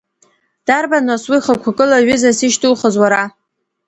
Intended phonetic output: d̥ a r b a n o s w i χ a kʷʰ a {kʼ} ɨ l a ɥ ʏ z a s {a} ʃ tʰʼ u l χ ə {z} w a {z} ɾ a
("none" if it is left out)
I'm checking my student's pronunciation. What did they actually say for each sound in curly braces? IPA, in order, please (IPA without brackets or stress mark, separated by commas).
kʼ, i, z, none